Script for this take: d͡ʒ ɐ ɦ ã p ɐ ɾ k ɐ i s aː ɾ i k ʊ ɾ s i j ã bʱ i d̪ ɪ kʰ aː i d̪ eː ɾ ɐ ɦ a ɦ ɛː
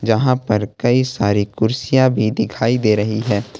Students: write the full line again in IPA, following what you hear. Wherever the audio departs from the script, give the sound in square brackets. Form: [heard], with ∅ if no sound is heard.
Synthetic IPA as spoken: d͡ʒ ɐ ɦ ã p ɐ ɾ k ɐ i s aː ɾ i k ʊ ɾ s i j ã bʱ i d̪ ɪ kʰ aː i d̪ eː ɾ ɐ ɦ [i] ɦ ɛː